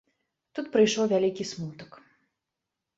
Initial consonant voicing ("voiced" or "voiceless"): voiceless